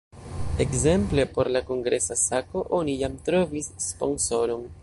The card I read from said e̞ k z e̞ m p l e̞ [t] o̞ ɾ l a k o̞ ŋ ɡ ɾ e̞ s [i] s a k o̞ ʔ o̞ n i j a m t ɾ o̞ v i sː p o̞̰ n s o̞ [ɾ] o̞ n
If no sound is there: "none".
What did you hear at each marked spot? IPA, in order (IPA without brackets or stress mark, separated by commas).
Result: p, a, ɾ